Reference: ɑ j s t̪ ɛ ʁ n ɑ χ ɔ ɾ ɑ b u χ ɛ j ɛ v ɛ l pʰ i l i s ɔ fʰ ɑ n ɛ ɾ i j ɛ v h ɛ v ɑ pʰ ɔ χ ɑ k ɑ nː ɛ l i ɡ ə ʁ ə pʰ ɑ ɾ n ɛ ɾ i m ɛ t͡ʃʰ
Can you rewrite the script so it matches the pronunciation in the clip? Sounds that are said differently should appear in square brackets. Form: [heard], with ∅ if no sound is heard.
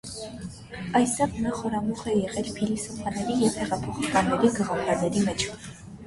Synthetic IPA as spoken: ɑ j s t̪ ɛ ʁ n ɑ χ ɔ ɾ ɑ [m] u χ ɛ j ɛ [ʁ] ɛ l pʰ i l i s ɔ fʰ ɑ n ɛ ɾ i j ɛ v h ɛ [ʁ] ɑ pʰ ɔ χ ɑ k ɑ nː ɛ [ɾ] i ɡ ə ʁ [ɑ] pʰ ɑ ɾ n ɛ ɾ i m ɛ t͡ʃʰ